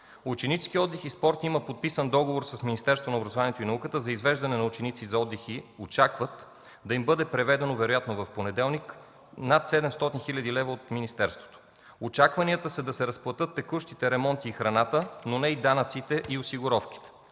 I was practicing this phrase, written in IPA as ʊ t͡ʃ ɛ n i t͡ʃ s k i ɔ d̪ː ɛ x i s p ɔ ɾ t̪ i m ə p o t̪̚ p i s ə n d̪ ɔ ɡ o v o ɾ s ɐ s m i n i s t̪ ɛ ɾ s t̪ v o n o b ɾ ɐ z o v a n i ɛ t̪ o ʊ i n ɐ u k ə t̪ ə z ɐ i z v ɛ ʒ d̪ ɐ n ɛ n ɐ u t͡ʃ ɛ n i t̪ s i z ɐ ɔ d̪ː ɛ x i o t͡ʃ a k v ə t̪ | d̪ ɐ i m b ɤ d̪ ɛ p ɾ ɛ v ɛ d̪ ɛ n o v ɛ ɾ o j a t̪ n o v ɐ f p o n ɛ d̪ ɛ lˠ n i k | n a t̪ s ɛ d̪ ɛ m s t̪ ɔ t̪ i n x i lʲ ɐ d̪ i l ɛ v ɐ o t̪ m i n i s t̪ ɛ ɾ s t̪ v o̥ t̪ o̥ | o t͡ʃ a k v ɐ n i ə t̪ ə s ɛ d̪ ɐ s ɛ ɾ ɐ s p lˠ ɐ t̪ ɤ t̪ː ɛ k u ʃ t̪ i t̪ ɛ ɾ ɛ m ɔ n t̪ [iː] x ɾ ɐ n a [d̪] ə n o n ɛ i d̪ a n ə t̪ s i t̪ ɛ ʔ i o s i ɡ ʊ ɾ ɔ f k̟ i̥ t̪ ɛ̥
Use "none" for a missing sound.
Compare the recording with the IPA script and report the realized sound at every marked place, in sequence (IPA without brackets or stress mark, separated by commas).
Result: iː, t̪